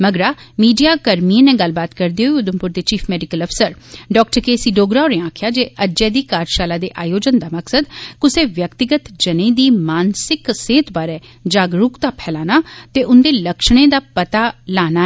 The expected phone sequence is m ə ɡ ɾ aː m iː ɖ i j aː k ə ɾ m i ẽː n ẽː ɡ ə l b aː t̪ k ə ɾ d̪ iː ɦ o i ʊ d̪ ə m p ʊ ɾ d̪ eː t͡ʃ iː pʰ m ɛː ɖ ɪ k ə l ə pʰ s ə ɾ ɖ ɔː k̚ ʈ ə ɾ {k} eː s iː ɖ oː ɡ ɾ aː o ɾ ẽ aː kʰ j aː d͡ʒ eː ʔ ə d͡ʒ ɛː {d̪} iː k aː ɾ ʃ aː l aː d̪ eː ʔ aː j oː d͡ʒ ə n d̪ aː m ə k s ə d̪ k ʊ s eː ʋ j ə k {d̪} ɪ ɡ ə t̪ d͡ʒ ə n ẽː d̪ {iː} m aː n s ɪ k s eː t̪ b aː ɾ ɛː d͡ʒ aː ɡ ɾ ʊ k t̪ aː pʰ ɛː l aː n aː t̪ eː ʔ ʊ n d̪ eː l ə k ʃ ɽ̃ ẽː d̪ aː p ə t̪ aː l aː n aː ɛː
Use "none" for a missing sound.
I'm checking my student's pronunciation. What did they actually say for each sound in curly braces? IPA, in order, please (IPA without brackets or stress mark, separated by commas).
k, d̪, t̪, iː